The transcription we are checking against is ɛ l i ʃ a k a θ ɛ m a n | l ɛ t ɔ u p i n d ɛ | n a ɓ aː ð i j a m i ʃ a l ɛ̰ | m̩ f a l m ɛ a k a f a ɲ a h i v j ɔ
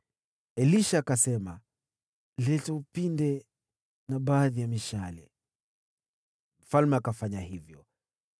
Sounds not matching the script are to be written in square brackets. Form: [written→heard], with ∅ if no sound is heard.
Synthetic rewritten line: ɛ l i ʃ a k a [θ→s] ɛ m a [n→∅] | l ɛ t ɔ u p i n d ɛ | n a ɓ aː ð i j a m i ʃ a l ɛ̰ | m̩ f a l m ɛ a k a f a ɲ a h i v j ɔ